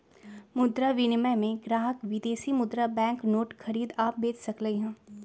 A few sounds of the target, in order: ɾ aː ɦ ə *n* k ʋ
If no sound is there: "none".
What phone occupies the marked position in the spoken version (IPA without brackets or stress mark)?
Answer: none